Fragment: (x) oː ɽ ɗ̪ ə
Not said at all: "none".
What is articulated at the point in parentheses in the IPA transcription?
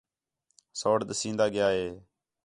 s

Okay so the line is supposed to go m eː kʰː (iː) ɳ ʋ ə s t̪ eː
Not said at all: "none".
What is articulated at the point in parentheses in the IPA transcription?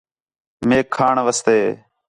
aː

